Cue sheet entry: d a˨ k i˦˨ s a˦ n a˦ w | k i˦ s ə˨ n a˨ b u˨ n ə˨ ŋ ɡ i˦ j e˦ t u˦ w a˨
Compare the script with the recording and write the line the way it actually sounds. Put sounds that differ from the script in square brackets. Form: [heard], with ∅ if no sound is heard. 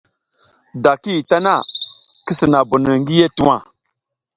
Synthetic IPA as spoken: d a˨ k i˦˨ [t] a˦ n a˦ [∅] | k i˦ s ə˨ n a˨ b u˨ n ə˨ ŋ ɡ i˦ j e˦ t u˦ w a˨